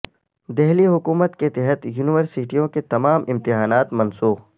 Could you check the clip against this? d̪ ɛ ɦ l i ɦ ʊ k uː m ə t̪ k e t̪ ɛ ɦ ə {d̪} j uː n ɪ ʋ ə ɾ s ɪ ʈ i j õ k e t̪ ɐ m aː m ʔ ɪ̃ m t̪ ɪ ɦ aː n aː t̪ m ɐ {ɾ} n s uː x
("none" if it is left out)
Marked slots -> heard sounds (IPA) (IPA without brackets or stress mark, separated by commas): t̪, none